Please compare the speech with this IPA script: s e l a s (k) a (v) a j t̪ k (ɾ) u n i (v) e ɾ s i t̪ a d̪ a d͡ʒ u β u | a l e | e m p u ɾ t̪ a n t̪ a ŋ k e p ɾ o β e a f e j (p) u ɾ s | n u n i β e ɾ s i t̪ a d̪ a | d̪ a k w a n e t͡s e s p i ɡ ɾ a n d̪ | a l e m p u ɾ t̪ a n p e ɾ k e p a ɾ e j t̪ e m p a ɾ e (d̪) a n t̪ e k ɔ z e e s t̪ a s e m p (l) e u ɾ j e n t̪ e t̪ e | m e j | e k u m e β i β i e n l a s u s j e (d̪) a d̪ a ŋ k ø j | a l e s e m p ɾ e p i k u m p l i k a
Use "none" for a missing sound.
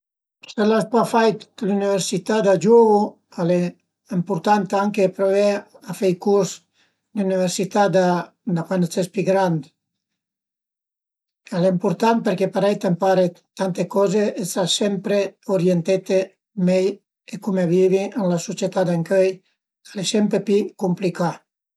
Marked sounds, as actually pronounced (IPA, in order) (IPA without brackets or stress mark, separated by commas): p, f, l, β, k, t̪, ɾ, t̪